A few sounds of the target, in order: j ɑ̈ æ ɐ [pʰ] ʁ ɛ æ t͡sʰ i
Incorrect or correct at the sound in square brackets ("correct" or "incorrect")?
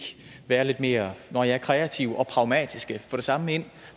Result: incorrect